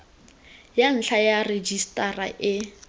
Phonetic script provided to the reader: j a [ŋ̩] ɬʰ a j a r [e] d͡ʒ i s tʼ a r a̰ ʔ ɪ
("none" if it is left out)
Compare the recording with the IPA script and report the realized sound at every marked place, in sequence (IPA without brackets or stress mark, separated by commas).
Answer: n̩, e